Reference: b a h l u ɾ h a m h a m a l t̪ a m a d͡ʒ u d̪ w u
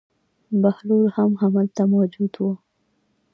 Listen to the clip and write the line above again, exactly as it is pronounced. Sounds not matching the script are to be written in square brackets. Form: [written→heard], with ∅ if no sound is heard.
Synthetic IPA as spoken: b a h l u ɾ h a m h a m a l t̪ a m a d͡ʒ u d̪ w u